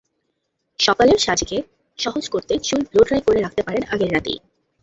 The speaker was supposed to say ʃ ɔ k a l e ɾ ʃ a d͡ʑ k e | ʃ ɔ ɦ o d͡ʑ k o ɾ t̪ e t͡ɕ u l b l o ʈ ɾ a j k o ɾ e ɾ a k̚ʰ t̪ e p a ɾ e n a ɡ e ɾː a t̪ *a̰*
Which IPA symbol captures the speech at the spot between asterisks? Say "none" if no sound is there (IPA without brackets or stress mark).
ḭ